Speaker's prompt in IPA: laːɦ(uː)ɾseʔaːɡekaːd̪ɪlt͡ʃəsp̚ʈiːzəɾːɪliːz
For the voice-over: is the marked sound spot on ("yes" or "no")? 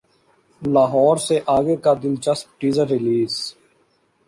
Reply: no